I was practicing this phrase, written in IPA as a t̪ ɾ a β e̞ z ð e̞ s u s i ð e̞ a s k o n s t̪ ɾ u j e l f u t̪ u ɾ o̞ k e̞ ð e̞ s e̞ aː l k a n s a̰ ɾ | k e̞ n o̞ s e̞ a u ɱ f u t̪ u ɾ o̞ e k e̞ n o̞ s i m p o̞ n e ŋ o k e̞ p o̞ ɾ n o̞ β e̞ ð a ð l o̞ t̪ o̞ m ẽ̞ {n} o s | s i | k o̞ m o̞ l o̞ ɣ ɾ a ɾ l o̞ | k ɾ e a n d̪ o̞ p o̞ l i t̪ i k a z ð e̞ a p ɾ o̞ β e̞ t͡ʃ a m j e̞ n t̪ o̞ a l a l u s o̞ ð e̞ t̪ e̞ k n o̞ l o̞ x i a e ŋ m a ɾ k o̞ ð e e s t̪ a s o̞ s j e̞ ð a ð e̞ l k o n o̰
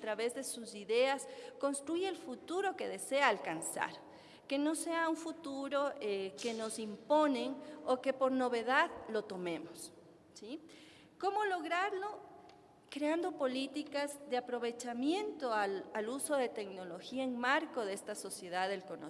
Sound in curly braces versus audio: incorrect: m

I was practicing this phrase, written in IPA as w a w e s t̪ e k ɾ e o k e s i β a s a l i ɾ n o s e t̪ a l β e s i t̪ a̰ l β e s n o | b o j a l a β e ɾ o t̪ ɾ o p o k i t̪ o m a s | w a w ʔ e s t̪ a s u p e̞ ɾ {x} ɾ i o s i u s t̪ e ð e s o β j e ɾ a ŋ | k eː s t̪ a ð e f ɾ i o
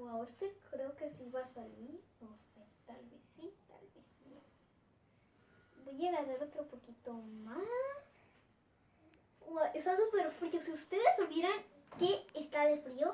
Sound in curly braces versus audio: incorrect: f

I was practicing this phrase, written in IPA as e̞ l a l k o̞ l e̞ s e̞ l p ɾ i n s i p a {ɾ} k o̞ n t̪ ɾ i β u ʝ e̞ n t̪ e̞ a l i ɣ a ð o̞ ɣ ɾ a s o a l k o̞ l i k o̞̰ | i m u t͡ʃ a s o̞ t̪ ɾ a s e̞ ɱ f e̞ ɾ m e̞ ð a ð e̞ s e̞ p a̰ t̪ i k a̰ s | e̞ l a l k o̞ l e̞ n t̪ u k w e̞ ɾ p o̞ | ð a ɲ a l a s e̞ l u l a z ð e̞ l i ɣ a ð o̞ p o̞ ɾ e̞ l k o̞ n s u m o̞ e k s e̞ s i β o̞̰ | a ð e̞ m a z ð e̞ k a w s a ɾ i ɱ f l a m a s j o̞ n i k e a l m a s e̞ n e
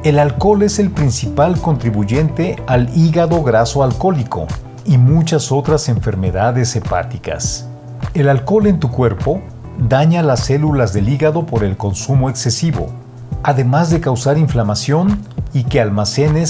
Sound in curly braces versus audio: incorrect: l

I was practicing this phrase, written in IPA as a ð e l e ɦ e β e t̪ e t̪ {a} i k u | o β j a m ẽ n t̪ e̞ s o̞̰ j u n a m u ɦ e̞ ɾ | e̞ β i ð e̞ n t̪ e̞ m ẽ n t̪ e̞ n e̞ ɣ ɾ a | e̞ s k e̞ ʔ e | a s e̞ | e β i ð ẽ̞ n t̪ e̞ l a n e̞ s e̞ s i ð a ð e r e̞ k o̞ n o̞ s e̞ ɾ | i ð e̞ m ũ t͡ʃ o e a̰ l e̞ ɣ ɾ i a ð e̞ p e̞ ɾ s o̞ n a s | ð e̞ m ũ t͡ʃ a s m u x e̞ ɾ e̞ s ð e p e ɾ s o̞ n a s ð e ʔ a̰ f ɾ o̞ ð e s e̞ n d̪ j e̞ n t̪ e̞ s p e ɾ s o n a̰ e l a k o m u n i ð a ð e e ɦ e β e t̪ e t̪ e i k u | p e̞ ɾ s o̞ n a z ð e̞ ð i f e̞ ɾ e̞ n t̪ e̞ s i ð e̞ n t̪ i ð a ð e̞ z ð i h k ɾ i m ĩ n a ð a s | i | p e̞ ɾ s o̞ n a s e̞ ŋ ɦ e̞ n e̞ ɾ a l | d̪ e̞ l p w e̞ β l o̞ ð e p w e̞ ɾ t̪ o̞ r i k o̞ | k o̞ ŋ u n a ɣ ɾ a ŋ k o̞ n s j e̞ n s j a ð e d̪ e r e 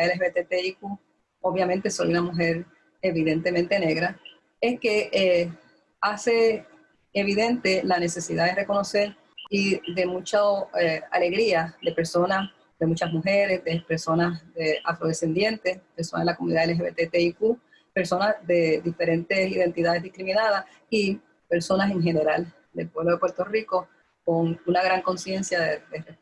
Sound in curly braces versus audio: incorrect: e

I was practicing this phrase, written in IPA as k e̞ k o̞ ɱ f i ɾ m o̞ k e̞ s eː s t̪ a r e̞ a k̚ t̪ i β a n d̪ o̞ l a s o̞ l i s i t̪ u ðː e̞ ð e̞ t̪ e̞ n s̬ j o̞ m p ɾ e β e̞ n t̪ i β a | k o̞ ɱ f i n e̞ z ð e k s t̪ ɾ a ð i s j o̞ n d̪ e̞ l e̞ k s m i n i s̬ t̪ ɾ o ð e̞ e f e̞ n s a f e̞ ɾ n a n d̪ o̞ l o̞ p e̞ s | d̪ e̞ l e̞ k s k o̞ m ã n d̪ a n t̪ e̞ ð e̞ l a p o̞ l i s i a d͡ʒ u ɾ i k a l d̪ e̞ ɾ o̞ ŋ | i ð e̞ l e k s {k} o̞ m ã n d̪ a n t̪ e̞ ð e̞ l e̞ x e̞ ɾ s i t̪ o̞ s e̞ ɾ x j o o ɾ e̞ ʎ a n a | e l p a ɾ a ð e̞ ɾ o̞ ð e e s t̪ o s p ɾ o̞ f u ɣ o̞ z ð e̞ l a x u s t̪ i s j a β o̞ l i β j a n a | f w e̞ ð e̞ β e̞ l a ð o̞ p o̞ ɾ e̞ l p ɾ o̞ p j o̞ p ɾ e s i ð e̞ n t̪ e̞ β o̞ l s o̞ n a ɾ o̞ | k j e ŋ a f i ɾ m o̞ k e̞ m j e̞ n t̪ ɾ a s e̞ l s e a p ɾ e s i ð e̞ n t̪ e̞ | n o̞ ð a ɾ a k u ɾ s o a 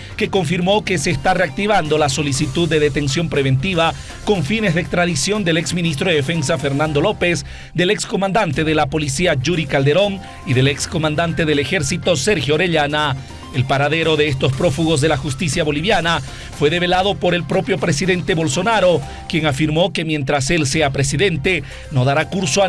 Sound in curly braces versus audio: correct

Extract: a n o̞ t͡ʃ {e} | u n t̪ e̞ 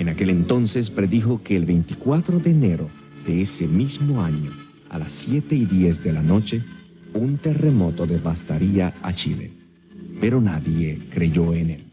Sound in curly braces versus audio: correct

